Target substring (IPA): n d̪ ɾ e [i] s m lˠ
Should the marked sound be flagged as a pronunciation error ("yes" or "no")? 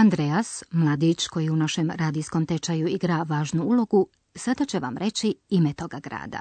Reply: yes